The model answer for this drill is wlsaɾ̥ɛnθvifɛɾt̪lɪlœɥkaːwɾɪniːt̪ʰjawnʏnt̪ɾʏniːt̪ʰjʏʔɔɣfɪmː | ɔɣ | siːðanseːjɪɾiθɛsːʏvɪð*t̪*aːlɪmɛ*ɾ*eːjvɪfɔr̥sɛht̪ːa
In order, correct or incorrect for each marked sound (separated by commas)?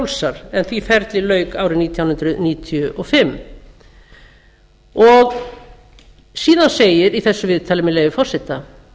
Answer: incorrect, incorrect